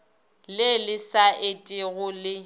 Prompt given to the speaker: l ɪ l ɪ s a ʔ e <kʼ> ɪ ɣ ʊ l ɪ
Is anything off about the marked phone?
yes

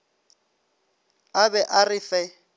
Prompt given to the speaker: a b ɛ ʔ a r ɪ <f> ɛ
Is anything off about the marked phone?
no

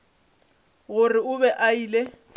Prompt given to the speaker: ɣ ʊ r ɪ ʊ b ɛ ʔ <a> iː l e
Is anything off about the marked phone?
no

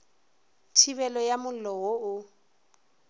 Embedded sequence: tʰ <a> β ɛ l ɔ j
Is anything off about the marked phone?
yes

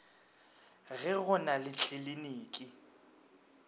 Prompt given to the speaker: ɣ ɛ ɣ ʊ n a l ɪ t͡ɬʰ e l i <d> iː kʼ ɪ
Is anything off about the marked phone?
yes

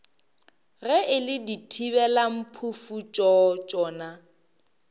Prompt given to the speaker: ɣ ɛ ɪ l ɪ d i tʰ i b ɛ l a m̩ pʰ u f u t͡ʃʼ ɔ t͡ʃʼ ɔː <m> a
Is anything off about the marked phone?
yes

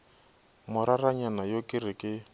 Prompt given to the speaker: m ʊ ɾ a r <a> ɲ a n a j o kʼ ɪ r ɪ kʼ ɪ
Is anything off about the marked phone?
no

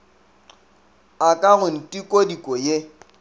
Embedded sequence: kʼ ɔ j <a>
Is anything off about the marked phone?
yes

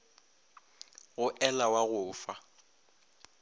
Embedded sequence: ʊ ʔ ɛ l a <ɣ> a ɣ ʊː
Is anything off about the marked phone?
yes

